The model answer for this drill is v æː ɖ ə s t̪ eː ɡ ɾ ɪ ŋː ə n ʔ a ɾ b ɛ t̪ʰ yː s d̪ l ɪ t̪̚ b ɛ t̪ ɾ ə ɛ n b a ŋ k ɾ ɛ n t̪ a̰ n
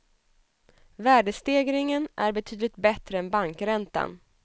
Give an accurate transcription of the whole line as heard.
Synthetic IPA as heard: v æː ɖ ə s t̪ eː ɡ ɾ ɪ ŋ ə n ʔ æ ɾ b ɛ t̪ʰ yː d̪ l ɪ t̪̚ b ɛ t̪ ɾ ə ɛ n b a ŋ k ɾ ɛ n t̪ a̰ n

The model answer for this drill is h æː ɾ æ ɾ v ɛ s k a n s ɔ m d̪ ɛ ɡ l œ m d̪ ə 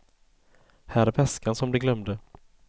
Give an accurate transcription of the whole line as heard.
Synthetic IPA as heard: h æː ɾ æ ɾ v ɛ s k a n s ɔ m d̪ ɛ ɡ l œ m d̪ ə

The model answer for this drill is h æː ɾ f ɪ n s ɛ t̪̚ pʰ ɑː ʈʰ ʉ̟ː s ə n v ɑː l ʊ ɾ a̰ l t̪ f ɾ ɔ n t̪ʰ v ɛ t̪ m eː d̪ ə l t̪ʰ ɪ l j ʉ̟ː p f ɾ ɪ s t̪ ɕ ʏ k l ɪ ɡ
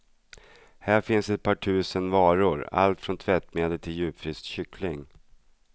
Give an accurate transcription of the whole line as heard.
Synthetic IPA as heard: h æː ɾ f ɪ n s ɛ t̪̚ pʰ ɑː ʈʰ ʉ̟ː s ə n v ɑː ɾ ʊ ɾ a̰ l t̪ f ɾ ɔ n t̪ʰ v ɛ t̪ m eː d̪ ə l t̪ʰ ɪ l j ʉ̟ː p f ɾ ɪ s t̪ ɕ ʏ k l ɪ ŋ

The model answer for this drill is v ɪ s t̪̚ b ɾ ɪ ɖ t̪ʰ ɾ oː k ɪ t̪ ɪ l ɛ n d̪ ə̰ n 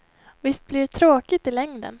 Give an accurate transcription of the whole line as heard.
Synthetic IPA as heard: v ɪ s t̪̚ b l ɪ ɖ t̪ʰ ɾ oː k ɪ t̪ ɪ l ɛ ŋ d̪ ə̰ n

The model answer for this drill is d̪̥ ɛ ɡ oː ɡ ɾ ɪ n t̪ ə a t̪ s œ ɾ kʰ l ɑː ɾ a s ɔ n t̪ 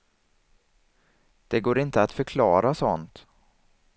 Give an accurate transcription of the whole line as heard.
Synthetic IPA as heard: d̪̥ ɛ ɡ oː ɾ ɪ n t̪ ə a t̪ f œ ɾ kʰ l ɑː ɾ a s ɔ n t̪

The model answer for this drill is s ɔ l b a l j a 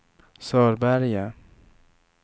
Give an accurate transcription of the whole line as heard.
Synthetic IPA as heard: s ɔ ɾ b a ɾ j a

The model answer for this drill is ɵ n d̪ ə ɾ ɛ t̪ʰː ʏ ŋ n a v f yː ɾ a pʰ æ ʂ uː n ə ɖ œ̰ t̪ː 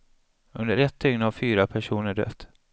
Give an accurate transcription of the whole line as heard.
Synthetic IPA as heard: ɵ n d̪ ə ɾ ɛ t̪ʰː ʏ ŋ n a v f yː ɾ a pʰ æ ʂ uː n ə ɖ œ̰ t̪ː

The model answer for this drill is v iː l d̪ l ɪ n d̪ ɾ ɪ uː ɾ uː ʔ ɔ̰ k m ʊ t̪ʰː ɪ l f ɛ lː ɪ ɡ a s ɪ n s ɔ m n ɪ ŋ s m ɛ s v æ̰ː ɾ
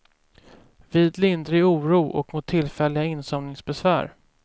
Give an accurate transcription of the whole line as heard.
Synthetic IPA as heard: v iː d̪ l ɪ n d̪ ɾ ɪ uː ɾ uː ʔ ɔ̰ k m ʊ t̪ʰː ɪ l f ɛ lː ɪ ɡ a ɪ n s ɔ m n ɪ ŋ s b ɛ s v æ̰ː ɾ

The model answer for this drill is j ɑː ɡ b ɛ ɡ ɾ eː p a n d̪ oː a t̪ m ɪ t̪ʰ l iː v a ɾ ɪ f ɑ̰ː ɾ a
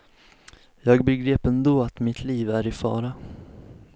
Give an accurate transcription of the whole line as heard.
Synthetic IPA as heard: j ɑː ɡ b ɛ ɡ ɾ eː p ɛ n d̪ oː a t̪ m ɪ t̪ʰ l iː v æ ɾ ɪ f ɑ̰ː ɾ a

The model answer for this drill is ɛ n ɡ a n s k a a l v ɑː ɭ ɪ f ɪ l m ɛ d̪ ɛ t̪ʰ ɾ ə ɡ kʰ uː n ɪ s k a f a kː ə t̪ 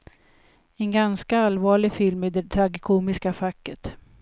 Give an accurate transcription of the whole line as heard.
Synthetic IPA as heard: ɛ n ɡ a n s k a a l v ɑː ɭ ɪ f ɪ l m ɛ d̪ ɛ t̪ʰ ɾ a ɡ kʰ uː m ɪ s k a f a kː ə t̪

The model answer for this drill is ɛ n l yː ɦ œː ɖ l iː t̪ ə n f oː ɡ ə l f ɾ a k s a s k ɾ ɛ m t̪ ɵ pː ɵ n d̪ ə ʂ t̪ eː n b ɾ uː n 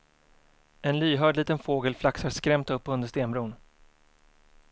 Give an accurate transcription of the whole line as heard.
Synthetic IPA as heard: ɛ n l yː ɦ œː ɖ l iː t̪ ə n f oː ɡ ə l f l a k s a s k ɾ ɛ m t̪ ɵ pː ɵ n d̪ ə ʂ t̪ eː n b ɾ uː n

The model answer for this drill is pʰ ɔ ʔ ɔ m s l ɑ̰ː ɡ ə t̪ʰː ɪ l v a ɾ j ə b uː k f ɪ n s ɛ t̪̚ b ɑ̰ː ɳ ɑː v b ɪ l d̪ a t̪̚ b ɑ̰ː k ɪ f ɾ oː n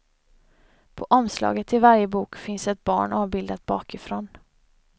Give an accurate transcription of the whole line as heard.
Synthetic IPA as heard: pʰ ɔ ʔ ɔ m s l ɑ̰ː ɡ ə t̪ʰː ɪ l v a ɾ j ə b uː k f ɪ n s ɛ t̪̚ b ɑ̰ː ɳ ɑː v b ɪ l d̪ a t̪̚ b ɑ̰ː k ɪ f ɾ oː n

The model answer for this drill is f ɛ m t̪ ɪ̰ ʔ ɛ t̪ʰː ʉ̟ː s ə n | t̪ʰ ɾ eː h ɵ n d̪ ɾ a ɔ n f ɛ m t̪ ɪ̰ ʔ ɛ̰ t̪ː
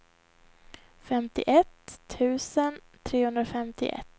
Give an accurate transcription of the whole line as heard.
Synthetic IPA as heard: f ɛ m t̪ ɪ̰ ʔ ɛ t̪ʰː ʉ̟ː s ə n | t̪ʰ ɾ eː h ɵ n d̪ ɾ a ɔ f ɛ m t̪ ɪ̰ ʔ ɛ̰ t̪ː

